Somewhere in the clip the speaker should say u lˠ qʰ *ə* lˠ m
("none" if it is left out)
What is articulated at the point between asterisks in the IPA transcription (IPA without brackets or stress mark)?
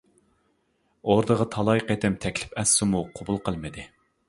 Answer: ə